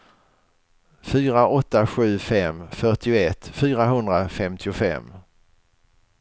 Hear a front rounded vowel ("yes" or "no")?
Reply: yes